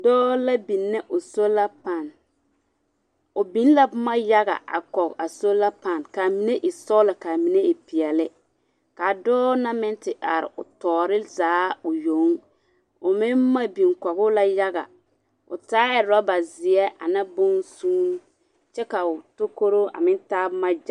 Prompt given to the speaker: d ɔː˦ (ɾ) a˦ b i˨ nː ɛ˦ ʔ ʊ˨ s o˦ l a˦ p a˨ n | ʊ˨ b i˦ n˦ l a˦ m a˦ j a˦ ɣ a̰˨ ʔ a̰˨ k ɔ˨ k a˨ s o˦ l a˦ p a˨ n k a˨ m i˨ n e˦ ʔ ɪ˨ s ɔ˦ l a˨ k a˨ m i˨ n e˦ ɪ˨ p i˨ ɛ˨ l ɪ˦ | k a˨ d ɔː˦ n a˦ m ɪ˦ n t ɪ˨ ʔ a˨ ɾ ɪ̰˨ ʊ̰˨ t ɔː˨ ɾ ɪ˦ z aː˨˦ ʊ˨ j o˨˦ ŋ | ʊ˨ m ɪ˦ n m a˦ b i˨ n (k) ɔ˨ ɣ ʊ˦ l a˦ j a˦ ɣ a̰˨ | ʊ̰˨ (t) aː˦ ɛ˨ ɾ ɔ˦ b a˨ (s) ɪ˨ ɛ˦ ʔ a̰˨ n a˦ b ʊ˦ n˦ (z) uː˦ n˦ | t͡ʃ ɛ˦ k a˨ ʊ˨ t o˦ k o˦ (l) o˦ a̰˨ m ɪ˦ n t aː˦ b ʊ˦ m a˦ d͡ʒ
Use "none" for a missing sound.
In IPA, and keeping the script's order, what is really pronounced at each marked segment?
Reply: l, k, t, z, s, ɾ

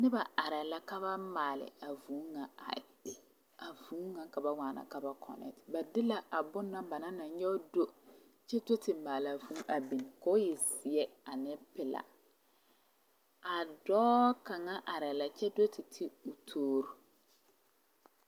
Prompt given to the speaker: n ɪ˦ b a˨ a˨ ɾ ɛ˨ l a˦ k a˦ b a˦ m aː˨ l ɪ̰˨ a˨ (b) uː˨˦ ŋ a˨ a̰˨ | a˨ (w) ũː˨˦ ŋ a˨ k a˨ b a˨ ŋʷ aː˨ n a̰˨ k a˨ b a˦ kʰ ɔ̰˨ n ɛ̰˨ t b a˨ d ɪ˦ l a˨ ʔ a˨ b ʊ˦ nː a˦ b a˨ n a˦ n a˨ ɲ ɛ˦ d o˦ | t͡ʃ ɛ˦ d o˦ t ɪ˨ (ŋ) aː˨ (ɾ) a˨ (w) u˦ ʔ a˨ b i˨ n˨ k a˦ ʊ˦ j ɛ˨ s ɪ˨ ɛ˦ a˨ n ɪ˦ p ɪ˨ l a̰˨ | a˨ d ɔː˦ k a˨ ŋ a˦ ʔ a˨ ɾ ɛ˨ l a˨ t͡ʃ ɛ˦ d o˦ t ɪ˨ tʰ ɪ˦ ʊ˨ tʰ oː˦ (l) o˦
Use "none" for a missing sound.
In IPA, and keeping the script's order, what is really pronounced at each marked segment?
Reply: v, v, m, l, v, ɾ

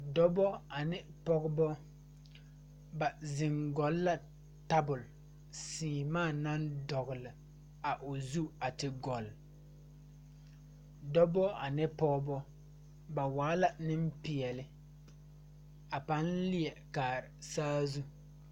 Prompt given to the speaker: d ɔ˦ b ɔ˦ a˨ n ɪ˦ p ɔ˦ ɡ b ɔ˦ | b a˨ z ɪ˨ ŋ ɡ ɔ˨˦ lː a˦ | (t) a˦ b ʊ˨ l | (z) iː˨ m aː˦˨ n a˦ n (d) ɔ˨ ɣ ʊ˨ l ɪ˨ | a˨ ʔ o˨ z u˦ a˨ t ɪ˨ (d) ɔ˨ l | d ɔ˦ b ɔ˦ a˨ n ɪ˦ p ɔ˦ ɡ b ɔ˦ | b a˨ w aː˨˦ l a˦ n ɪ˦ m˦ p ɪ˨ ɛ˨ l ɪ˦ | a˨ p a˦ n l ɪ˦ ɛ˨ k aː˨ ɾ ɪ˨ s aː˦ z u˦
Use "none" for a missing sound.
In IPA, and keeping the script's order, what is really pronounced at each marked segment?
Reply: t, s, d, ɡ

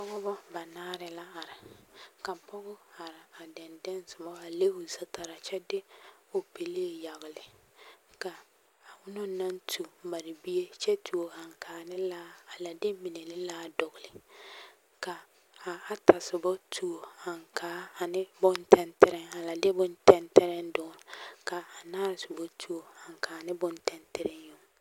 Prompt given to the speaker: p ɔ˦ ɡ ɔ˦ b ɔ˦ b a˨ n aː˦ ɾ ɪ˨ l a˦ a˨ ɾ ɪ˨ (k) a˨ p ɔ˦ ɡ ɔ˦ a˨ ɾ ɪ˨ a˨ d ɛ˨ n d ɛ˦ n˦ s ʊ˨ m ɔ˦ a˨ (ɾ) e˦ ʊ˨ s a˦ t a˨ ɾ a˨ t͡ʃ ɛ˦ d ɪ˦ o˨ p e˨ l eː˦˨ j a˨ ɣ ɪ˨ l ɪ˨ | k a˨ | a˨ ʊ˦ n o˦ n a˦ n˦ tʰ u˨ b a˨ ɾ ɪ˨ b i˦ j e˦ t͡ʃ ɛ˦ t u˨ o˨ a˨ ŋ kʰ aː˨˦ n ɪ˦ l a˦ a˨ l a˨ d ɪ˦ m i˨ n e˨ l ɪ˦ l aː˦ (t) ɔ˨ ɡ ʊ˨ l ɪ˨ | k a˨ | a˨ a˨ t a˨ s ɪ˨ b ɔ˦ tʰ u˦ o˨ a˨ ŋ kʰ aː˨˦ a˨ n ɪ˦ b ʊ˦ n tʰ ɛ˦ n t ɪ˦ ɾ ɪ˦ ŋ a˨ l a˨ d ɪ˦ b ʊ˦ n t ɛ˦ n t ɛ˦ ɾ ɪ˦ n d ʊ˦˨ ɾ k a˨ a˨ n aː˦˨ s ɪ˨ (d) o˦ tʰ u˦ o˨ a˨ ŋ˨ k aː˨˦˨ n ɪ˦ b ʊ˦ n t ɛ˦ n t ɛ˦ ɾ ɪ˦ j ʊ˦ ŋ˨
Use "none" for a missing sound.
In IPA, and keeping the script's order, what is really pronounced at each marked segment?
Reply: k, l, d, b

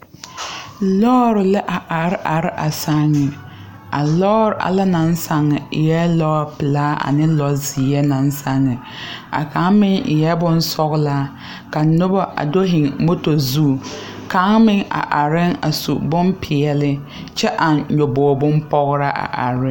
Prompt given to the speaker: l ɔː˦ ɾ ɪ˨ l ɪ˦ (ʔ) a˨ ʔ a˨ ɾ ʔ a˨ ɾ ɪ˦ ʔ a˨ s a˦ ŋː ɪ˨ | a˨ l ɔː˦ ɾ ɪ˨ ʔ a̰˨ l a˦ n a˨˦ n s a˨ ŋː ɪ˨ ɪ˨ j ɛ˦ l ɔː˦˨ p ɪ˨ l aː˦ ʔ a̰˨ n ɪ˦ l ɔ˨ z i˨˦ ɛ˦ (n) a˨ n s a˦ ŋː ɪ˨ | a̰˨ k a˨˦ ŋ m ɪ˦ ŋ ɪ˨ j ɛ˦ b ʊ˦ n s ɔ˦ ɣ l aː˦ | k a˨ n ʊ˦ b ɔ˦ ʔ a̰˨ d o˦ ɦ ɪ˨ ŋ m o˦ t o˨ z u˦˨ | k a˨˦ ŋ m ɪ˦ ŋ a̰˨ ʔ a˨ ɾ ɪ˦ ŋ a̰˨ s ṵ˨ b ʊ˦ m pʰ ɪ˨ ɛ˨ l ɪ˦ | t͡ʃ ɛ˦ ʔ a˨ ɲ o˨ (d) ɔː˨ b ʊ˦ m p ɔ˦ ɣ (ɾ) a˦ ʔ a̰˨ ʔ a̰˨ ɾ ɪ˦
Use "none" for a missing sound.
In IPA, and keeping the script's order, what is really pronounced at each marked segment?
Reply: ʔ, n, b, ɾ

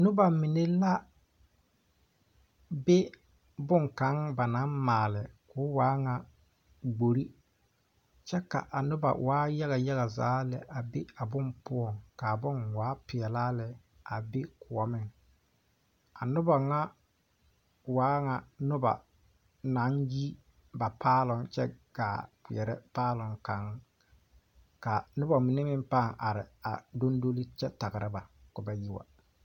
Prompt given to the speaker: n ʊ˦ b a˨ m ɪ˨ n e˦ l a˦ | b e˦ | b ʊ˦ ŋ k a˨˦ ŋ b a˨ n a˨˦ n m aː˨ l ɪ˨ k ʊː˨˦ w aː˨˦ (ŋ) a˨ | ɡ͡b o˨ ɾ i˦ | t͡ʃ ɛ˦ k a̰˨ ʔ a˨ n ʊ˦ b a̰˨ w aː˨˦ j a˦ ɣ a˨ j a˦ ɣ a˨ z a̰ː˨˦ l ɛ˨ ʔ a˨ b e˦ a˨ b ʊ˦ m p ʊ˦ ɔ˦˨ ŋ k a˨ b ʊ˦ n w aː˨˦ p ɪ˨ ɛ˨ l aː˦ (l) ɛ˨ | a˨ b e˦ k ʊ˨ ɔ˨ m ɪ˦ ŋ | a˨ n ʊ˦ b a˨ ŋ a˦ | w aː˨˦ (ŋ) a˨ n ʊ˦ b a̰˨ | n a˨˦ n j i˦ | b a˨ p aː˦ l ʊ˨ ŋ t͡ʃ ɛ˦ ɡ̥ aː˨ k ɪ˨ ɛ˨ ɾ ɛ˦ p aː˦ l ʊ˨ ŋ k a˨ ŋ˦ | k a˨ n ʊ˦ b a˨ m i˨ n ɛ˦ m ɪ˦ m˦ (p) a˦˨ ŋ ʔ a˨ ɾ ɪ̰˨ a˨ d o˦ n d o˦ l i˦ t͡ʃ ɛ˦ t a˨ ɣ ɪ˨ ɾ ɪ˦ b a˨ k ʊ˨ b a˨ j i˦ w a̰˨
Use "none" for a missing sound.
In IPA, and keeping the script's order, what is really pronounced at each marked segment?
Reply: ŋ, l, ŋ, p

